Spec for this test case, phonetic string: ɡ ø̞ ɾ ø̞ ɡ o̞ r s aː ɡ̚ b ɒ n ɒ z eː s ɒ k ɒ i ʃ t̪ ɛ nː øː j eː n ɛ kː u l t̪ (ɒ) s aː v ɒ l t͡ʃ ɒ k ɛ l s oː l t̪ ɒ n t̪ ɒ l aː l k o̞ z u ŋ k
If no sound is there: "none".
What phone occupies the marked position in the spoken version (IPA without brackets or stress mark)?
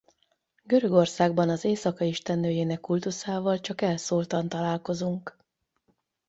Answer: u